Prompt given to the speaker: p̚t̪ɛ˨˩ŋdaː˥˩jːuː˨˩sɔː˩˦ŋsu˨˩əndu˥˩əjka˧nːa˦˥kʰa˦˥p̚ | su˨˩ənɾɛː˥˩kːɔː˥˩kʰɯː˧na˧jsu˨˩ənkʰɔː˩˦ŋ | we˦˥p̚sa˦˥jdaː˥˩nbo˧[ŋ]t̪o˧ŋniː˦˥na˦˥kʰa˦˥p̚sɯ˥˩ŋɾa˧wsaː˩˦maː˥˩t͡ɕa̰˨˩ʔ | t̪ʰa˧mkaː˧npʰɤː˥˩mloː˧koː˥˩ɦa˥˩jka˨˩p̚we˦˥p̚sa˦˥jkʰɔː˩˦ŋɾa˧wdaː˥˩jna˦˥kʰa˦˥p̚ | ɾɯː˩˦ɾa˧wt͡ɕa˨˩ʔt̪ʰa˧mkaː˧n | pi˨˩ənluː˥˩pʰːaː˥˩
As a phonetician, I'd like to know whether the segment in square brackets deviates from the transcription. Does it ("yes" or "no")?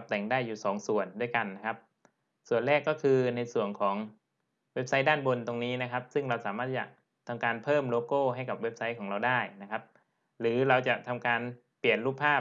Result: yes